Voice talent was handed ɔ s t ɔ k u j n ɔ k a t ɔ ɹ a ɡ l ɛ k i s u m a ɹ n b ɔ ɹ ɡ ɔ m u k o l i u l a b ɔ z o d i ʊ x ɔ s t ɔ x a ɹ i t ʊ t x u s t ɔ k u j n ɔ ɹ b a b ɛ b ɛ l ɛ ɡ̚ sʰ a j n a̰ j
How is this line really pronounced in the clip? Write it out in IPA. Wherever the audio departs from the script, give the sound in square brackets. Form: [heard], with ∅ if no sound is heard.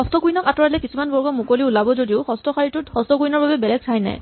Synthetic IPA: ɔ s t ɔ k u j n ɔ k a t ɔ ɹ a [∅] l ɛ k i s u m a [∅] n b ɔ ɹ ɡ ɔ m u k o l i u l a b ɔ z o d i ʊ x ɔ s t ɔ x a ɹ i t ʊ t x [ɔ] s t ɔ k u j n ɔ ɹ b a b ɛ b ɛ l ɛ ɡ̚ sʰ a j n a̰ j